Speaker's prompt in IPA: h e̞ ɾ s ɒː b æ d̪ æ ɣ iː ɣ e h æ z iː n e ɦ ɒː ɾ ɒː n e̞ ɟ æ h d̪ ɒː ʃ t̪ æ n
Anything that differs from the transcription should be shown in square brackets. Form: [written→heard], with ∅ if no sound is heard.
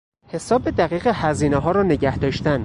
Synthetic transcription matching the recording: h e̞ [ɾ→∅] s ɒː b [æ→e] d̪ æ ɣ iː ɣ e h æ z iː n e ɦ ɒː ɾ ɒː n e̞ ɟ æ h d̪ ɒː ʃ t̪ æ n

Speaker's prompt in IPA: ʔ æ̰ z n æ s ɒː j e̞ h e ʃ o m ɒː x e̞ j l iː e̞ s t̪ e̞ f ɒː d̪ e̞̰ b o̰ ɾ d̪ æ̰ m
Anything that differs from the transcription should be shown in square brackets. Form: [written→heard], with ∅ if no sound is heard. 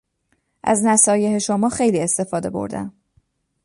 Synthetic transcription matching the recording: ʔ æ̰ z n æ s ɒː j e̞ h e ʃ o m ɒː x e̞ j l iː e̞ s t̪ e̞ f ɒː d̪ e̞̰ b o̰ ɾ d̪ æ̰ m

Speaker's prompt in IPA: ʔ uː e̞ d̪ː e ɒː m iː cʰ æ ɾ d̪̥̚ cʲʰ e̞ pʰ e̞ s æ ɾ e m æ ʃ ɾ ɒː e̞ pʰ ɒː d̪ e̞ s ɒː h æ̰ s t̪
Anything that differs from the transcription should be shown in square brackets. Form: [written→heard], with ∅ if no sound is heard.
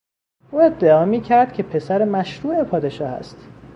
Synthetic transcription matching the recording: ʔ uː e̞ d̪ː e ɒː m iː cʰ æ ɾ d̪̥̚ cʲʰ e̞ pʰ e̞ s æ ɾ e m æ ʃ ɾ [ɒː→uː] e̞ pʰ ɒː d̪ e̞ [s→ʃ] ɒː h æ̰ s t̪

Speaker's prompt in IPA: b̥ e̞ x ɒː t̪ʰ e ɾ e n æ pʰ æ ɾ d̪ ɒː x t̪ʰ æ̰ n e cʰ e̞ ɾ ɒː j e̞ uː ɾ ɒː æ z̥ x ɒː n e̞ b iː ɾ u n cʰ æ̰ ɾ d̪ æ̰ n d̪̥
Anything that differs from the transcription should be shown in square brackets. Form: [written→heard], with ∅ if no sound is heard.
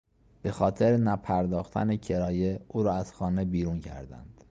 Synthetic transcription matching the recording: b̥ e̞ x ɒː t̪ʰ e ɾ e n æ pʰ æ ɾ d̪ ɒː x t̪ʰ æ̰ n e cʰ e̞ ɾ ɒː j e̞ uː ɾ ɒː æ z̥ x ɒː n e̞ b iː ɾ u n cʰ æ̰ ɾ d̪ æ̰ n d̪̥

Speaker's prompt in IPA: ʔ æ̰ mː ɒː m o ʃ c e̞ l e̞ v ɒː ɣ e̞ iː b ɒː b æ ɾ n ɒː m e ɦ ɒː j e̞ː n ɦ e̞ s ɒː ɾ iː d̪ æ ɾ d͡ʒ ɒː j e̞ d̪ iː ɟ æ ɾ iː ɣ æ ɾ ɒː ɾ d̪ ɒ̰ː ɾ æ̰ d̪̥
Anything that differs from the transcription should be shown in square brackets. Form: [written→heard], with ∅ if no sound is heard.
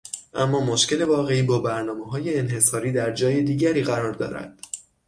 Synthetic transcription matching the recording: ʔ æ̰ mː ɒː m o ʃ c e̞ l e̞ v ɒː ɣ e̞ iː b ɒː b æ ɾ n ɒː m e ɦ ɒː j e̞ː n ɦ e̞ s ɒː ɾ iː d̪ æ ɾ d͡ʒ ɒː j e̞ d̪ iː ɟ æ ɾ iː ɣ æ ɾ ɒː ɾ d̪ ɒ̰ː ɾ æ̰ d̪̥

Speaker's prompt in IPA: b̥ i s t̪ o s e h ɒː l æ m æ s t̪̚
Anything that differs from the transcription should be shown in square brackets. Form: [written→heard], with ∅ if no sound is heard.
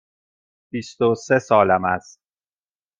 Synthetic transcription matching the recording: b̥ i s t̪ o s e [h→s] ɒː l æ m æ s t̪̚

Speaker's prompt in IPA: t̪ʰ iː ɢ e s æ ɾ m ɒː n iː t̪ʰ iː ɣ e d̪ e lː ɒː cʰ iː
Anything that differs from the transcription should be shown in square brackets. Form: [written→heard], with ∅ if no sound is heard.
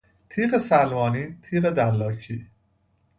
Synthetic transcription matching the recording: t̪ʰ iː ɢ e s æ [ɾ→l] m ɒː n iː t̪ʰ iː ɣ e d̪ [e→æ] lː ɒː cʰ iː

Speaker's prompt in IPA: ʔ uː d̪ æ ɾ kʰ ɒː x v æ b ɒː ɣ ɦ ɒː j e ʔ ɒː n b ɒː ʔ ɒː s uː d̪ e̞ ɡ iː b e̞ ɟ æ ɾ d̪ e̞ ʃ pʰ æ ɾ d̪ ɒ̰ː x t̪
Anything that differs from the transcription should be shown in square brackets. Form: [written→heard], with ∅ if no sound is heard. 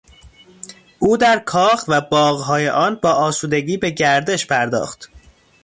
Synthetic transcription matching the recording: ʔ uː d̪ æ ɾ kʰ ɒː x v æ b ɒː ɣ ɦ ɒː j e ʔ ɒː n b ɒː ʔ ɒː s uː d̪ e̞ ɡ iː b e̞ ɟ æ ɾ d̪ e̞ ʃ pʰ æ ɾ d̪ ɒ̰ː x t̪

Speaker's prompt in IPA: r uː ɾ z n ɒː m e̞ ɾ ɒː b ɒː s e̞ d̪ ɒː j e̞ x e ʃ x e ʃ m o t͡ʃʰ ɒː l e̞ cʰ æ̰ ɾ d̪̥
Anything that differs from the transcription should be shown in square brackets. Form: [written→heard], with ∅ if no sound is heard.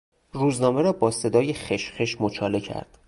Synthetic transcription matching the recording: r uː [ɾ→∅] z n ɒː m e̞ ɾ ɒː b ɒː s e̞ d̪ ɒː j e̞ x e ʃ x e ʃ m o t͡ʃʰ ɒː l e̞ cʰ æ̰ ɾ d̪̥

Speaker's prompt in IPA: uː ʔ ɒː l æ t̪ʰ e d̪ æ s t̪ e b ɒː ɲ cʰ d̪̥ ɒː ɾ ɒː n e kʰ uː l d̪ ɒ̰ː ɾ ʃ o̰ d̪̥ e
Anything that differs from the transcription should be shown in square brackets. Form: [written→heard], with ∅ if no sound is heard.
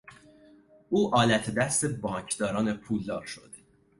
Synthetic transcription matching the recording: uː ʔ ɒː l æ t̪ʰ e d̪ æ s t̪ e b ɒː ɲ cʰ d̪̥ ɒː ɾ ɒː n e [kʰ→pʰ] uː l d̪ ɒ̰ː ɾ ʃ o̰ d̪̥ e

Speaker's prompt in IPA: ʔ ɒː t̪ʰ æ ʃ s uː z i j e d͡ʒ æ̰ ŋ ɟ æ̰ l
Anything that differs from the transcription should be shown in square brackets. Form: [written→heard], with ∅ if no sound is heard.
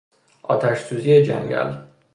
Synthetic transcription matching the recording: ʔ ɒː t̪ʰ æ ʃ s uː z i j e d͡ʒ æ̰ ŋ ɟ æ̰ l

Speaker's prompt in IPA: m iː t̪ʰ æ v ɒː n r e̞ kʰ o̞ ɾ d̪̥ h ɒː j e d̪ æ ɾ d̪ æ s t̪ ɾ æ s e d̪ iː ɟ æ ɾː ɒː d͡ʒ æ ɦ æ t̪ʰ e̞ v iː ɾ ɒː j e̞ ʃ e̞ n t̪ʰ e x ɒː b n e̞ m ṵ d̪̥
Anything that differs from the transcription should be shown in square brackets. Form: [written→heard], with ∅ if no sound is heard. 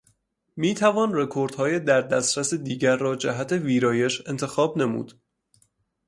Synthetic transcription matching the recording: m iː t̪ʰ æ v ɒː n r e̞ kʰ o̞ ɾ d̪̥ h ɒː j e d̪ æ ɾ d̪ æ s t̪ ɾ æ s e d̪ iː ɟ æ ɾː ɒː d͡ʒ æ ɦ æ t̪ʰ e̞ v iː ɾ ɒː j e̞ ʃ e̞ n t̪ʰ e x ɒː b n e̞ m ṵ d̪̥

